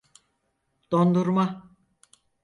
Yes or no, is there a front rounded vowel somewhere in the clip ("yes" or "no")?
no